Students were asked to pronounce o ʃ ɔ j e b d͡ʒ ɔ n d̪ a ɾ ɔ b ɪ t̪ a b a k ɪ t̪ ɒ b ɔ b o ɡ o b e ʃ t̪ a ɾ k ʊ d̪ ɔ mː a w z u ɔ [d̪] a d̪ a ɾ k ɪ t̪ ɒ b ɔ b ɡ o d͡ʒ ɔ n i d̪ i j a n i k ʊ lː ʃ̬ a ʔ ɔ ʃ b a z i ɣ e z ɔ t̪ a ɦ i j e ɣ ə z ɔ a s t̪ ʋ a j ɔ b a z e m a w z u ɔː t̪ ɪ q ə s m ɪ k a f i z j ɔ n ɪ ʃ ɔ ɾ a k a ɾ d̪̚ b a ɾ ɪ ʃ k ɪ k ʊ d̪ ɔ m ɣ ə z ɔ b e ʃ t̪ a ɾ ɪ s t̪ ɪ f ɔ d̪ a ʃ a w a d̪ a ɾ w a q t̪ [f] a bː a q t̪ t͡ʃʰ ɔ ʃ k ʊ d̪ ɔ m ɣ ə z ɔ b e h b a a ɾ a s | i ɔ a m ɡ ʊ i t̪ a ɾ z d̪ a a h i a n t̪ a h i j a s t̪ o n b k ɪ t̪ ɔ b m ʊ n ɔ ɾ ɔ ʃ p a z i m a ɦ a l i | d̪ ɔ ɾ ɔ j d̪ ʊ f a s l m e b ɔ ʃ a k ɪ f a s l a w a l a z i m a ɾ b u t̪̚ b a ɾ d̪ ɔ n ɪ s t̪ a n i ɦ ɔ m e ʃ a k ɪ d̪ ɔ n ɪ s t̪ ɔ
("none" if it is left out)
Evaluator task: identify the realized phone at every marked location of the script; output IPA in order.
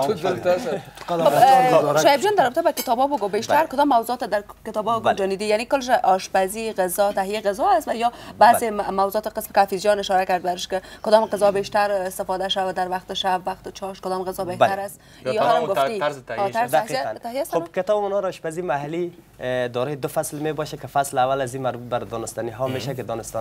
t̪, ʃ

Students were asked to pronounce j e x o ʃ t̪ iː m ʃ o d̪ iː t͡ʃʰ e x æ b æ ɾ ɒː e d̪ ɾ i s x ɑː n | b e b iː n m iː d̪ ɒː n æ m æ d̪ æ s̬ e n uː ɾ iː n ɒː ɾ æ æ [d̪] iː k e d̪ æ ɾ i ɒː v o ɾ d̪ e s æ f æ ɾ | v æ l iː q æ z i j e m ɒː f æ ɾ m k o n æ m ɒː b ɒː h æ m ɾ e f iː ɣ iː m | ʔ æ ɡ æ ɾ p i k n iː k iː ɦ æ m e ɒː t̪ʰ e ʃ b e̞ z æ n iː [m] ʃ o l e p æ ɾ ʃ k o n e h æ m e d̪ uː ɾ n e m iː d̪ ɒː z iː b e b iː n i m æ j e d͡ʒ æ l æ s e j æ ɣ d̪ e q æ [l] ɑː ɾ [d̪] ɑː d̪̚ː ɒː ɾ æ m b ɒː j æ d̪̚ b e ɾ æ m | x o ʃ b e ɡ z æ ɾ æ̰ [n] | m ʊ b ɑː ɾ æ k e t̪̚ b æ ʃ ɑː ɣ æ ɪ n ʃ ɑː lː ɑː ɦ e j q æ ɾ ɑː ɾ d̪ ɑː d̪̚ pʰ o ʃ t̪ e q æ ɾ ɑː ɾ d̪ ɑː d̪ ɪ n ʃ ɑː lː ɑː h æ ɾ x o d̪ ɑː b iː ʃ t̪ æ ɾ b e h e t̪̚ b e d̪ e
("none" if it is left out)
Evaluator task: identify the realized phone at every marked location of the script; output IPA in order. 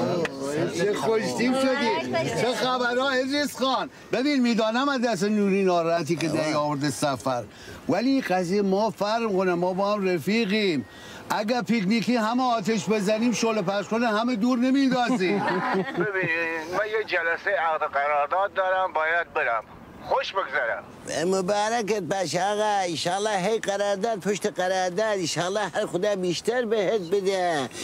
t̪, m, ɾ, d̪, m

